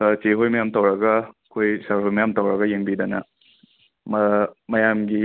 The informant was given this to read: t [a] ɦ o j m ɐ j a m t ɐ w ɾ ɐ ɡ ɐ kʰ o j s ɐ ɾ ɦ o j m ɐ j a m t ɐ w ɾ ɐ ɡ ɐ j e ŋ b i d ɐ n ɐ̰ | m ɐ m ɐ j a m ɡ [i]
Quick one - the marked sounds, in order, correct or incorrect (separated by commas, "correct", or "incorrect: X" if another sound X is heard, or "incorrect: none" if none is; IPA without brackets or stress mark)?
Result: incorrect: e, correct